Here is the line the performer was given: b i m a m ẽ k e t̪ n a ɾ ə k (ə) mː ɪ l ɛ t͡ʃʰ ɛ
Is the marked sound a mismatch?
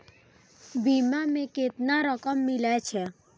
no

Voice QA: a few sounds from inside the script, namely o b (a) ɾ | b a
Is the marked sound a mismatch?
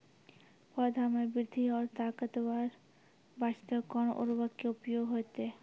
no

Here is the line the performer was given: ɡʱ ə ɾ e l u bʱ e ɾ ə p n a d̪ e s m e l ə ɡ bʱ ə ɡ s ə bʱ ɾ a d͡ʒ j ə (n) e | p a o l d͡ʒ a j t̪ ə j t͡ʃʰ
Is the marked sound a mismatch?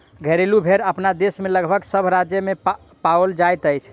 yes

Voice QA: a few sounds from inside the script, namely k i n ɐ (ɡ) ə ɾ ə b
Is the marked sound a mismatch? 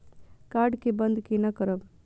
yes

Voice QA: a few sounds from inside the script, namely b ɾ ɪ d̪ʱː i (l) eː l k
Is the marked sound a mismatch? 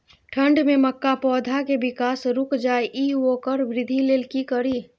no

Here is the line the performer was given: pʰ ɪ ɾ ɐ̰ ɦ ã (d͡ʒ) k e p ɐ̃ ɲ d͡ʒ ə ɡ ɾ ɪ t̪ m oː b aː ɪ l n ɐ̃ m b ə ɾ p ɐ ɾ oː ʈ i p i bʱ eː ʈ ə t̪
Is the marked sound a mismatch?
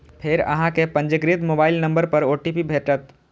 yes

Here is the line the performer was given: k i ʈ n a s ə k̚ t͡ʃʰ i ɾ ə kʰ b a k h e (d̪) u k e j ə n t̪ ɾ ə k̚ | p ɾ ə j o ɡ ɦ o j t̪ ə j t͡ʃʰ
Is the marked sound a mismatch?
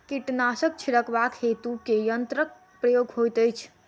yes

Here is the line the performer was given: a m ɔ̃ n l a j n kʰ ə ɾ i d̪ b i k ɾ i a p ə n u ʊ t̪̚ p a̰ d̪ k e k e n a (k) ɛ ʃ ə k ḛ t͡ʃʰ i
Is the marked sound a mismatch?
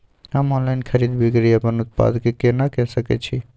no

